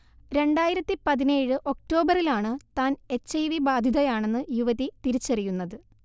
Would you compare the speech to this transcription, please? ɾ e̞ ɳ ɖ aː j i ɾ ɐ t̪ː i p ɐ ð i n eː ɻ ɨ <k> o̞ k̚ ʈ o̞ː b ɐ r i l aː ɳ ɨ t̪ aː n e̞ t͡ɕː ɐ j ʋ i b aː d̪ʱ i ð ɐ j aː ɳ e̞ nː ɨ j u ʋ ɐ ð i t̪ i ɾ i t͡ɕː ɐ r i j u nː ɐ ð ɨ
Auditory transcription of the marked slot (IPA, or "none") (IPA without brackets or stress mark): ʔ